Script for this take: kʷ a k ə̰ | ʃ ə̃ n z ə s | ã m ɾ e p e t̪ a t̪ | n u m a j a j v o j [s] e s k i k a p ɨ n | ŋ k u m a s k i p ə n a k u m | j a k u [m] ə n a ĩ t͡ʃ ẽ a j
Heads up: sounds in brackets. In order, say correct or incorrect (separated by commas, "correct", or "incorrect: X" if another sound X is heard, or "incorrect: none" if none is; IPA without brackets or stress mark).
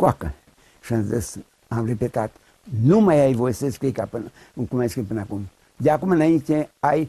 correct, correct